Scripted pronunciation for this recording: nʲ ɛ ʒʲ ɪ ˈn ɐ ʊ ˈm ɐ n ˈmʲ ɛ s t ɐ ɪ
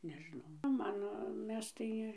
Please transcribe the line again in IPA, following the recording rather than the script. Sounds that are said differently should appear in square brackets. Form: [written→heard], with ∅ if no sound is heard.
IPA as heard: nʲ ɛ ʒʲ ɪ ˈn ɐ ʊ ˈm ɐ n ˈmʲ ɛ s t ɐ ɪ